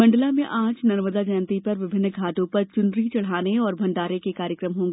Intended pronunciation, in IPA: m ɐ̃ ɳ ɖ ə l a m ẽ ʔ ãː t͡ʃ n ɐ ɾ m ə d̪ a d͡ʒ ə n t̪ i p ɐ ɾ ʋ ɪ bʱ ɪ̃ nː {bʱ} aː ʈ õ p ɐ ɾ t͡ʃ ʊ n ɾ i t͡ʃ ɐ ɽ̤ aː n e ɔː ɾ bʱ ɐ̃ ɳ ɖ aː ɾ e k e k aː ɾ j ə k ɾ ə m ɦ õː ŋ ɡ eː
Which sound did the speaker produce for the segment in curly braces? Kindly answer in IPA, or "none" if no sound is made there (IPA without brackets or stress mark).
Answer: ɡʱ